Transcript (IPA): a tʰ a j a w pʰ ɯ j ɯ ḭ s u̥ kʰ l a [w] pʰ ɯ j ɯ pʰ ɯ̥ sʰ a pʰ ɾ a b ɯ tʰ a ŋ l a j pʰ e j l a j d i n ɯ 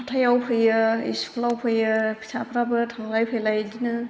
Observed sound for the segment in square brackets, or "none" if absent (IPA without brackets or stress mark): w